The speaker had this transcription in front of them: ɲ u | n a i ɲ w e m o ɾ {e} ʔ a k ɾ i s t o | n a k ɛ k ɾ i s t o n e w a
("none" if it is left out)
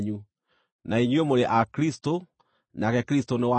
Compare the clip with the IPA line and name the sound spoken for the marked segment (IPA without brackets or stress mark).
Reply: e